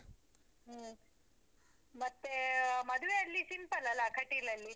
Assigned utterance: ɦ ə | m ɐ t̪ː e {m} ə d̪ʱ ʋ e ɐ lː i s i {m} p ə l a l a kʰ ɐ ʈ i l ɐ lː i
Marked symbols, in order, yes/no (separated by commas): yes, yes